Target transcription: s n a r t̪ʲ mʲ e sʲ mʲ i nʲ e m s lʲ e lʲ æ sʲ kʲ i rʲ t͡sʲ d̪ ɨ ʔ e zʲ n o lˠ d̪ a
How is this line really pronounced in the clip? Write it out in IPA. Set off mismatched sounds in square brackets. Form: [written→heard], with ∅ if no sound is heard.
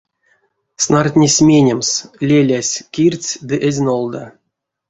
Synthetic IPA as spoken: s n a r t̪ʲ [mʲ→nʲ] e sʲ mʲ [i→e] nʲ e m s lʲ e lʲ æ sʲ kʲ i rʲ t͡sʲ d̪ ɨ ʔ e zʲ n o lˠ d̪ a